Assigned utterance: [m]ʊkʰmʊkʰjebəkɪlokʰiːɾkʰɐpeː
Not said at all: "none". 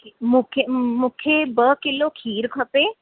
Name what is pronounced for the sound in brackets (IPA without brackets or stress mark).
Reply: m